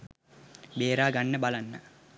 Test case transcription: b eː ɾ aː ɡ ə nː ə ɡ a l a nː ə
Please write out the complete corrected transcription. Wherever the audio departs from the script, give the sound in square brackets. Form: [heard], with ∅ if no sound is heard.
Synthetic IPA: b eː ɾ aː ɡ [a] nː ə [b] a l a nː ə